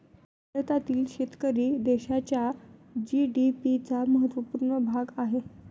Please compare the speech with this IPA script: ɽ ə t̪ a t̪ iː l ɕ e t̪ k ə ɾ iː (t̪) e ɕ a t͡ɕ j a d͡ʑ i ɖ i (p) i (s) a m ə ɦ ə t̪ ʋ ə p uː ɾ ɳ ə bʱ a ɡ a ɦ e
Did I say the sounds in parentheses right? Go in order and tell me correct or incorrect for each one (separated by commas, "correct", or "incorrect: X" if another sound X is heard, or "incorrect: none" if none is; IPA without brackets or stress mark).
incorrect: d̪, correct, incorrect: t͡s